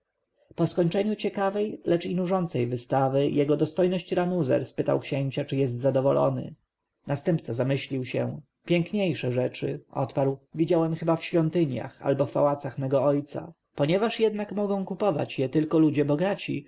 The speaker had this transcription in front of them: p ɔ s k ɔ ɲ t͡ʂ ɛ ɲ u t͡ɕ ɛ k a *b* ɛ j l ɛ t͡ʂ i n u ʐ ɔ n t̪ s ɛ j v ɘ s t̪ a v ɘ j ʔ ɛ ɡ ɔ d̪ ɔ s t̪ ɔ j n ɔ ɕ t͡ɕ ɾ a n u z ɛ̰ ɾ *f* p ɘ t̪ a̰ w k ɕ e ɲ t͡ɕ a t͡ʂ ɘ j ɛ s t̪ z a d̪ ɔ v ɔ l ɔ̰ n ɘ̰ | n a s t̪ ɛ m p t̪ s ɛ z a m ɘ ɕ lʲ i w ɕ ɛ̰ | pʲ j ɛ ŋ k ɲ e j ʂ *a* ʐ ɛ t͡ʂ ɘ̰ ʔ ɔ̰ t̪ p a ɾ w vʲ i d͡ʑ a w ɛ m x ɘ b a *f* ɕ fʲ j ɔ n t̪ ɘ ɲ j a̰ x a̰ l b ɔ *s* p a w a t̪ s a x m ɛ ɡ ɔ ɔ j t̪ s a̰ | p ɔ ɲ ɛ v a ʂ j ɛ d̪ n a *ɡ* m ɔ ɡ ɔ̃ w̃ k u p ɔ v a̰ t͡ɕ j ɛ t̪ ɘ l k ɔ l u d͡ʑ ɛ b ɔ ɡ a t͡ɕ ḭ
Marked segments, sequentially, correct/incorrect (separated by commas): incorrect, incorrect, incorrect, correct, incorrect, incorrect